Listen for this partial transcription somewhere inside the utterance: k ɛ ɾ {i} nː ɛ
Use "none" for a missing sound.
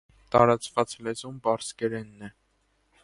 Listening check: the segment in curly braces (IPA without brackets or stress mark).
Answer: ɛ